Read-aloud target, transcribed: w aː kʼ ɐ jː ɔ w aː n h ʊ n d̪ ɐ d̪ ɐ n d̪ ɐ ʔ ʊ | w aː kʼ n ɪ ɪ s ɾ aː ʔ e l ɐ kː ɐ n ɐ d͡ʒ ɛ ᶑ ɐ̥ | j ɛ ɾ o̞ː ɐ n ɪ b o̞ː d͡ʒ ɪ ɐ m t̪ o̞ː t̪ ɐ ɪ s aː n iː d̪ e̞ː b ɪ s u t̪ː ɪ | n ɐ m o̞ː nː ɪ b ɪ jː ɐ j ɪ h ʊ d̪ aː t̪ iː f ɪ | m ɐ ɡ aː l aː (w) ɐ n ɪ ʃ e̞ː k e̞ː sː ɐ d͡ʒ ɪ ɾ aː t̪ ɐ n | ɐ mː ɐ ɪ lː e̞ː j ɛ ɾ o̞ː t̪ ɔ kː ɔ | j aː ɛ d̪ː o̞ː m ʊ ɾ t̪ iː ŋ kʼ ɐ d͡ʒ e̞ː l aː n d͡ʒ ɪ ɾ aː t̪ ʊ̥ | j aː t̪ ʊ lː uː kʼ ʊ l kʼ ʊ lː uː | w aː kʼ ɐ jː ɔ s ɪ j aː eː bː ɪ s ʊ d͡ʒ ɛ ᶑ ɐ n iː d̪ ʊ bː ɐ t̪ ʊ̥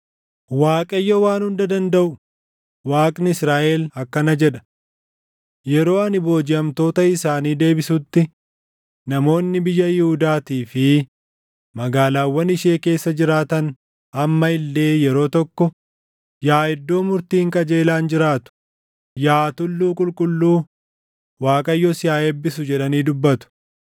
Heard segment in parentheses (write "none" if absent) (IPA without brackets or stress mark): wː